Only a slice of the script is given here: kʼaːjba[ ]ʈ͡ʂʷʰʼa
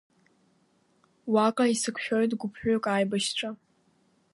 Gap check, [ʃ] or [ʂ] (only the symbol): ʃ